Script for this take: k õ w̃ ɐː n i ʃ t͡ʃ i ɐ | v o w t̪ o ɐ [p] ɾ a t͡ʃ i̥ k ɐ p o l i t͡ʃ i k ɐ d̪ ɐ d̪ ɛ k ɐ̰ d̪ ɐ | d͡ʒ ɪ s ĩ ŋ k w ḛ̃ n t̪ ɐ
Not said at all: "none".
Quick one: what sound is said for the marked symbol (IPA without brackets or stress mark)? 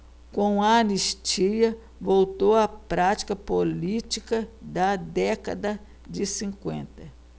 p